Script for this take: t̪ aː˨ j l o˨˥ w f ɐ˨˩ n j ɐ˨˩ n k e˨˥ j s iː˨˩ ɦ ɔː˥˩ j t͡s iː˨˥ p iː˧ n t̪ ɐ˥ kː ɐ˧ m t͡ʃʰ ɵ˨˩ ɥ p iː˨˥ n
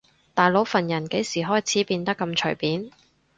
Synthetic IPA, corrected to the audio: t̪ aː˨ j l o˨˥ w f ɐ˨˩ n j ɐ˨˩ n k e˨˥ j s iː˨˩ ɦ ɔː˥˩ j t͡sʰ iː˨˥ p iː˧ n t̪ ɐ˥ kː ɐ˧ m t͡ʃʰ ɵ˨˩ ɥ p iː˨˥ n